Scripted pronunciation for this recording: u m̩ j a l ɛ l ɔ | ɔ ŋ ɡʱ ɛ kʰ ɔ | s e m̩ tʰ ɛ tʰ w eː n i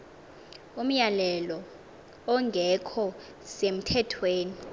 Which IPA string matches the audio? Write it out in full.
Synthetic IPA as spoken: u m̩ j a l ɛ l ɔ | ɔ ŋ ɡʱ ɛ kʰ ɔ | s e m̩ tʰ ɛ tʰ w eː n i